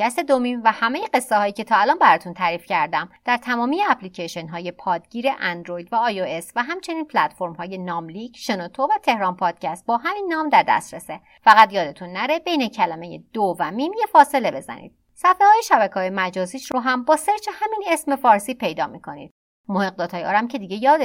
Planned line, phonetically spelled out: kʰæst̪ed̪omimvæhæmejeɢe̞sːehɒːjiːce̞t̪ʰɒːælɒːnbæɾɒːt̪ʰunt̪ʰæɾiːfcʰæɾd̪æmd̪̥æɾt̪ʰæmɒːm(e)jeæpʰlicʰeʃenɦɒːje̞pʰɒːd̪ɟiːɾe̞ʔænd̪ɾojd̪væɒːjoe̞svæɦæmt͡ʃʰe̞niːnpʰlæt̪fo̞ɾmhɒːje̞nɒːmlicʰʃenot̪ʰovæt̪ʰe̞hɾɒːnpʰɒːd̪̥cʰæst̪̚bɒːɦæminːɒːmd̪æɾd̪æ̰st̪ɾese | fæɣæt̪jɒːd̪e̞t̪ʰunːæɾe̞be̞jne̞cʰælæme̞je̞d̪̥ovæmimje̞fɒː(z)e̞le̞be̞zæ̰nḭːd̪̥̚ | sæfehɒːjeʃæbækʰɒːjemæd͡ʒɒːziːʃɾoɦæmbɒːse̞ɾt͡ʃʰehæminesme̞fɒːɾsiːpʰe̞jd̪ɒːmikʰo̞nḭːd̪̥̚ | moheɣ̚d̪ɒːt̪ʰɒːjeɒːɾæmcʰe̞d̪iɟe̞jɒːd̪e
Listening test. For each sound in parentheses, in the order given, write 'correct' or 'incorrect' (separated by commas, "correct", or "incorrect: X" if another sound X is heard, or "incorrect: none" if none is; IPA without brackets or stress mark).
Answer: incorrect: i, incorrect: s